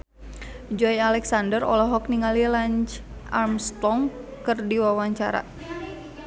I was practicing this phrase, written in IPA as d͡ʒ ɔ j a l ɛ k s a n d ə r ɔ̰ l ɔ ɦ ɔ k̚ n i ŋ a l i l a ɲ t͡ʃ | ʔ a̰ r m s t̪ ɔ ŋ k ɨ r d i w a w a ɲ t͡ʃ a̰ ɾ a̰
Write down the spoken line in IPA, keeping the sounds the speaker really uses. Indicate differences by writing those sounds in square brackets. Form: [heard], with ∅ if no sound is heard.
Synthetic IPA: d͡ʒ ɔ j a l ɛ k s a n d ə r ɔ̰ l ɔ ɦ ɔ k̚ n i ŋ a l i l a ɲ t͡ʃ | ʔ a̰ r m s t̪ ɔ ŋ k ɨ r d i w a w a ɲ t͡ʃ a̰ ɾ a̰